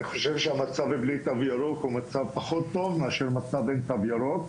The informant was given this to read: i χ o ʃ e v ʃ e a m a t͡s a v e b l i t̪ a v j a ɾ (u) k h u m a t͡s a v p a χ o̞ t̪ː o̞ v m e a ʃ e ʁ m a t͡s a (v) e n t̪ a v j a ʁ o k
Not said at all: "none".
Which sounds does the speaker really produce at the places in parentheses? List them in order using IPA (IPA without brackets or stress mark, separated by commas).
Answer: o, v